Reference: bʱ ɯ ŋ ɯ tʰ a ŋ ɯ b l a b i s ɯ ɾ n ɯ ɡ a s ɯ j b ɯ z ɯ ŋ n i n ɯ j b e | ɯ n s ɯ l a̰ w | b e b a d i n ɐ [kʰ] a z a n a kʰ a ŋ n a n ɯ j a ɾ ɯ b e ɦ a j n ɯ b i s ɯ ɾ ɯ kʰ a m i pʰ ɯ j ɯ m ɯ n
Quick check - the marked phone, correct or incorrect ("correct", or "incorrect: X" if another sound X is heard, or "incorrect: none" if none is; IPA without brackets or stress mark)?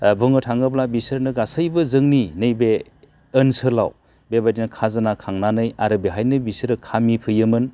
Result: correct